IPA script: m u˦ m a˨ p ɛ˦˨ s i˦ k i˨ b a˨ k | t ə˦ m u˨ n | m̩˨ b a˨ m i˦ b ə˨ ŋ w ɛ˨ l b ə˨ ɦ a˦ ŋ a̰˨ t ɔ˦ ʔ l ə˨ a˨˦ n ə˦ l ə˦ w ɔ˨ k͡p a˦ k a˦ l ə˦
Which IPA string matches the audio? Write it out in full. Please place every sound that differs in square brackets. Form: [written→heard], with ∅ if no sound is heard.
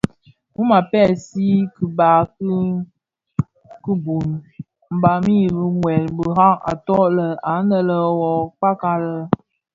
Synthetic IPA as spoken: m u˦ m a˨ p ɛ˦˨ s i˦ k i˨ b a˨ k | [t→k] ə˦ [m→b] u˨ n | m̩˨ b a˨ m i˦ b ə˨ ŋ w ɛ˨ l b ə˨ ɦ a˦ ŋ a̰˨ t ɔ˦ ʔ l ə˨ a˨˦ n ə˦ l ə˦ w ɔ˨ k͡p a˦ k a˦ l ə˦